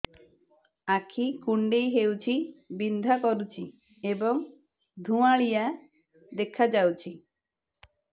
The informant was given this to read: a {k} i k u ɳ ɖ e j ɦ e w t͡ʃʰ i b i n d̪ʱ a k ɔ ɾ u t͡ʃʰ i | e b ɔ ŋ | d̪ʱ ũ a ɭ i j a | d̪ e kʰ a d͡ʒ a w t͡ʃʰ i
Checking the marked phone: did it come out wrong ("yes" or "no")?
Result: yes